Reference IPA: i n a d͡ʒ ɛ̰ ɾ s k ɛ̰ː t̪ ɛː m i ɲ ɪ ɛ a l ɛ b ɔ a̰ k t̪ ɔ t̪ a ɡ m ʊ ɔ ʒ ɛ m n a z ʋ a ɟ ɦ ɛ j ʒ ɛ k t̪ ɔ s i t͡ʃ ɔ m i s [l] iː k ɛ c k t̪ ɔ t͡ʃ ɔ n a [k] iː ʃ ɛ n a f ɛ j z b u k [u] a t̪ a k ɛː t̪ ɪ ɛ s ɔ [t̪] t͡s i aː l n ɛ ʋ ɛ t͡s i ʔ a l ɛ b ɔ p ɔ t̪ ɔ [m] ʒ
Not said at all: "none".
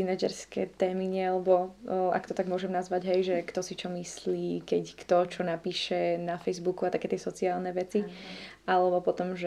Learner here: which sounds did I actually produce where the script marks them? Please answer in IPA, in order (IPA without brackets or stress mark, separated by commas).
l, p, u, none, m